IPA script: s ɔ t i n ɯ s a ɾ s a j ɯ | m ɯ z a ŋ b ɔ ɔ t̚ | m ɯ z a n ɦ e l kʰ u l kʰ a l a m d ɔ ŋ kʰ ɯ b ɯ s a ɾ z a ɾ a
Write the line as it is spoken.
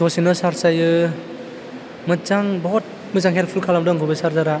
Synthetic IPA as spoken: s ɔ s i n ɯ s a ɾ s a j ɯ | m ɯ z a ŋ b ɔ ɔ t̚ | m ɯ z a ŋ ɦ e l pʰ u l kʰ a l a m d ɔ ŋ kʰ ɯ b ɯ s a ɾ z a ɾ a